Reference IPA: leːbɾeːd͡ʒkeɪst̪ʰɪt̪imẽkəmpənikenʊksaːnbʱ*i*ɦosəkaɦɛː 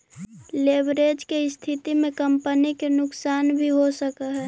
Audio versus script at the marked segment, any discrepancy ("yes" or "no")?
no